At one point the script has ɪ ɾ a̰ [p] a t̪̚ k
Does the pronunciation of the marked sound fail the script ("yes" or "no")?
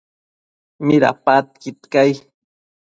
no